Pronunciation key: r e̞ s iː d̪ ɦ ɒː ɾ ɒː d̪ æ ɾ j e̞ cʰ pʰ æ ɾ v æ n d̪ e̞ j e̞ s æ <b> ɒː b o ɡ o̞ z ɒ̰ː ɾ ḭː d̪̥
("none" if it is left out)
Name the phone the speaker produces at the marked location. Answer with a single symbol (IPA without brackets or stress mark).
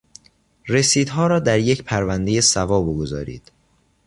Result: v